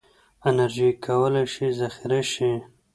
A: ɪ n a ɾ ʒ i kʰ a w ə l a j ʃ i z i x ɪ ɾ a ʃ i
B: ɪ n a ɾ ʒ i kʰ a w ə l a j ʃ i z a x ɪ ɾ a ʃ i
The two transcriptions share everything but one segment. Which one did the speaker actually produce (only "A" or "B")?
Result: B